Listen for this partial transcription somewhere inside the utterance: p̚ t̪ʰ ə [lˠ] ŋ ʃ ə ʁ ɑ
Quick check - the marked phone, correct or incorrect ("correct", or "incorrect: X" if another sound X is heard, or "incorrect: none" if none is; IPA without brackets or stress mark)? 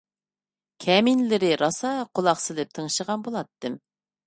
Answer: incorrect: none